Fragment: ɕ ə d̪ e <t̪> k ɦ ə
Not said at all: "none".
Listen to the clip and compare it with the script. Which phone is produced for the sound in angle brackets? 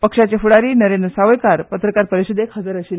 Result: none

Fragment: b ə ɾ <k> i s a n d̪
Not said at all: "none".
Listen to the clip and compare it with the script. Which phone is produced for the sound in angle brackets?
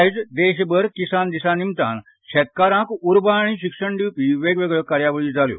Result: k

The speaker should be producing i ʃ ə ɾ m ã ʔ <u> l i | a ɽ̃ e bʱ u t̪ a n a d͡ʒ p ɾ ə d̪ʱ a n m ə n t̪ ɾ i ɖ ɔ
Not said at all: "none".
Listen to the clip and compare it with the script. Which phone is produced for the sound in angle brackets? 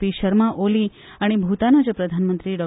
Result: o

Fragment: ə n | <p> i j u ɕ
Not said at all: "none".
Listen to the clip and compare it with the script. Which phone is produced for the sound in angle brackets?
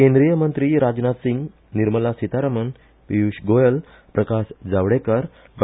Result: p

